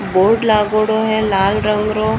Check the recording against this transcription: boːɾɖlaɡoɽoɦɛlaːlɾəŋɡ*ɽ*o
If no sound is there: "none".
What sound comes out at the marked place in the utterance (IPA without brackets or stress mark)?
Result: ɾ